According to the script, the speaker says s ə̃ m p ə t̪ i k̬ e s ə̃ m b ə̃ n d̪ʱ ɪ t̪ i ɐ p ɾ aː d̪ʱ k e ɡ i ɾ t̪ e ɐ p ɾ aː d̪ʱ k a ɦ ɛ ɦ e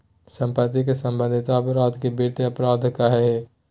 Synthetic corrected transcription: s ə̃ m p ə t̪ i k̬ e s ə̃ m b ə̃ n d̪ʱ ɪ t̪ a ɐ p ɾ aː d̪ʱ k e b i ɾ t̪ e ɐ p ɾ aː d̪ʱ k a ɦ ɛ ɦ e